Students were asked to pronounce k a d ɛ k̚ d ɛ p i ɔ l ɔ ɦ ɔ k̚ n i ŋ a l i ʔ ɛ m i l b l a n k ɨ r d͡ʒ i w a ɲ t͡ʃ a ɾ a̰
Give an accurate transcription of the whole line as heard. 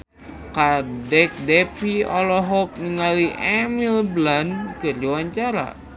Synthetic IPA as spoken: k a d ɛ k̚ d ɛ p i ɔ l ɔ ɦ ɔ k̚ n i ŋ a l i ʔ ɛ m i l b l a n k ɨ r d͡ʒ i w a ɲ t͡ʃ a ɾ a̰